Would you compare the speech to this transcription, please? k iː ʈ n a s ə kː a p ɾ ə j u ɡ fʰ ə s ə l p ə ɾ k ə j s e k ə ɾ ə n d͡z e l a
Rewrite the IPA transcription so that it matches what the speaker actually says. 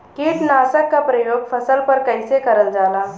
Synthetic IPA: k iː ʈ n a s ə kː a p ɾ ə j o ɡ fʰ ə s ə l p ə ɾ k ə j s e k ə ɾ ə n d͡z a l a